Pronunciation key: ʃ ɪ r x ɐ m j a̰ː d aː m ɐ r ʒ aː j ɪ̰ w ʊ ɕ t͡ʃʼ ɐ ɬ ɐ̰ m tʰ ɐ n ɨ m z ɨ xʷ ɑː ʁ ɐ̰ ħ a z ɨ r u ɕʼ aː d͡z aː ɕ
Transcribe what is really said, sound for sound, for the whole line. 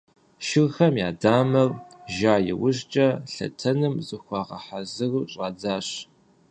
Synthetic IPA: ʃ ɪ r x ɐ m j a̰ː d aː m ɐ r ʒ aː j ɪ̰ w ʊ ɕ t͡ʃʼ ɐ ɬ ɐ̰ tʰ ɐ n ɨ m z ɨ xʷ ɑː ʁ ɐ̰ ħ a z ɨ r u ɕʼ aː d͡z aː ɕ